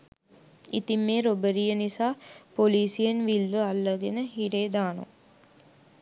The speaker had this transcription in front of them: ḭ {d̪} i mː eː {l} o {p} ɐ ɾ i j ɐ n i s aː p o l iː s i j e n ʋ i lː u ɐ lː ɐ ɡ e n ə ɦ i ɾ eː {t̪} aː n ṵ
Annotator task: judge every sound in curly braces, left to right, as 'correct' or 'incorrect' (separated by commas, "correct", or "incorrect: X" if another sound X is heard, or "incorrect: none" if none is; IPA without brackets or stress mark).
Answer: incorrect: t̪, incorrect: ɾ, incorrect: b, incorrect: d̪